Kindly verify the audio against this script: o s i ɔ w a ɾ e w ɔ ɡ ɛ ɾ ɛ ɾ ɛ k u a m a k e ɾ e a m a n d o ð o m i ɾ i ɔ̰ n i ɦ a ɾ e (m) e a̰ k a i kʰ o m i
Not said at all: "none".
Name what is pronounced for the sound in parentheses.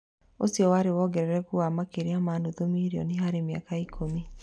m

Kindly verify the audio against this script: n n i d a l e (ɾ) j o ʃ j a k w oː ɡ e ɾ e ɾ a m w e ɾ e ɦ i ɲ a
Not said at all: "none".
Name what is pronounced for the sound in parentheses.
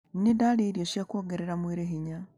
ɾ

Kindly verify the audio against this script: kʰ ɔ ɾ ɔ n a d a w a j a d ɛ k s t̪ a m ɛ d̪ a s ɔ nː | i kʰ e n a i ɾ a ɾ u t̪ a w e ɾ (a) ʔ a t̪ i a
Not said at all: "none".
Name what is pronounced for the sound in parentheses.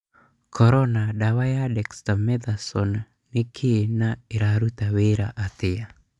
a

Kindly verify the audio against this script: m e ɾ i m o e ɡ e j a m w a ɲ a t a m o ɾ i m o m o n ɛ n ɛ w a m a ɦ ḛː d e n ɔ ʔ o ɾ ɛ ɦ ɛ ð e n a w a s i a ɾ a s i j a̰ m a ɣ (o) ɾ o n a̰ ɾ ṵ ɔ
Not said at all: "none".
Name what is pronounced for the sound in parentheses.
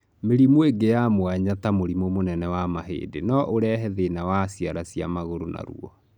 o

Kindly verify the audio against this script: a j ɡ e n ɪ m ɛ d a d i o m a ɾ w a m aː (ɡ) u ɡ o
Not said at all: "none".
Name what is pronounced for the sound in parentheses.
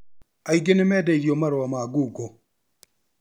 ɡ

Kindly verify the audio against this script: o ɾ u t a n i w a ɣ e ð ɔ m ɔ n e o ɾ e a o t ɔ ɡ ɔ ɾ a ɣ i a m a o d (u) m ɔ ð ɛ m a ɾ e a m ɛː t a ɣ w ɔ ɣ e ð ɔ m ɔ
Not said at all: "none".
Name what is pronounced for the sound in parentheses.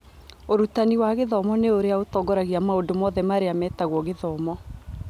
o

